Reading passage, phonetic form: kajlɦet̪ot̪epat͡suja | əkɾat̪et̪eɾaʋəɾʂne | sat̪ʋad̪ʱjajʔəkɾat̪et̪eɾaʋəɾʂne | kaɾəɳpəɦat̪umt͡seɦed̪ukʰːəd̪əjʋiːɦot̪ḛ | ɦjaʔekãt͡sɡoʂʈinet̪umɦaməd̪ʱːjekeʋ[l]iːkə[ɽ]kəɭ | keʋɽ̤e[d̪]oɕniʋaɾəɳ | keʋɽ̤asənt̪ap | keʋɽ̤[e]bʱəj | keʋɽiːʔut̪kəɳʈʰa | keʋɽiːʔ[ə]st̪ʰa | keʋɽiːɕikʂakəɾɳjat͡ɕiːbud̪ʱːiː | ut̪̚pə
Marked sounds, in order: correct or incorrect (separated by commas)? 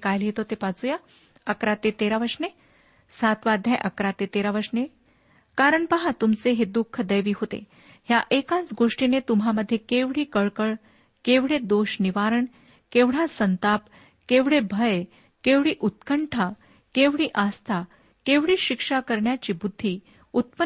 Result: incorrect, incorrect, correct, correct, incorrect